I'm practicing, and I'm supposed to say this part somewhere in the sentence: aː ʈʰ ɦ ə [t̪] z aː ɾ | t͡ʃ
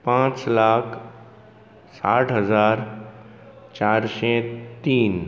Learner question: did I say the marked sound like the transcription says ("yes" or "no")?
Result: no